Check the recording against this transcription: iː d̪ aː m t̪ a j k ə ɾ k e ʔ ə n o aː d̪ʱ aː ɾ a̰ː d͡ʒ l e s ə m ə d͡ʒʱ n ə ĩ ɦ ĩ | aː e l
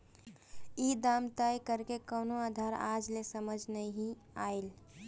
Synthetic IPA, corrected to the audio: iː d̪ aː m t̪ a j k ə ɾ k e k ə n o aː d̪ʱ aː ɾ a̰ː d͡ʒ l e s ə m ə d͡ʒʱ n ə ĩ ɦ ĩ | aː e l